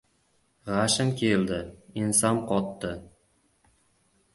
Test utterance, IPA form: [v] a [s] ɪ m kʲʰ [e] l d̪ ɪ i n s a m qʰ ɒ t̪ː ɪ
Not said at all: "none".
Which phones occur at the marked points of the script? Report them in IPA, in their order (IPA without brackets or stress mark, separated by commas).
ʁ, ʃ, e